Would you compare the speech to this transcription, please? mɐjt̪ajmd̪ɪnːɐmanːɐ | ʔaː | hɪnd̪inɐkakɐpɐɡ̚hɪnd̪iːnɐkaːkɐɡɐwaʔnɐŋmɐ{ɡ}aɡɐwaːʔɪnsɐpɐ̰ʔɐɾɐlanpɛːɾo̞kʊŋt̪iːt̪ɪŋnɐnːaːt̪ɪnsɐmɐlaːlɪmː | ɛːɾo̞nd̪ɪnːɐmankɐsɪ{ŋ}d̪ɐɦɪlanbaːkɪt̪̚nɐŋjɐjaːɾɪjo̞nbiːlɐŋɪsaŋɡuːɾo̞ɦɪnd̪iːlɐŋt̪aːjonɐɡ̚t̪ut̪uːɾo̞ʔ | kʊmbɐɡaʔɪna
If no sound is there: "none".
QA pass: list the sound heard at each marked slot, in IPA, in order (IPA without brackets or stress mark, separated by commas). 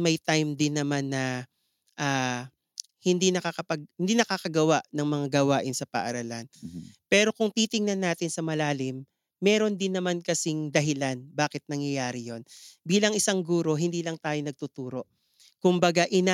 ŋ, ŋ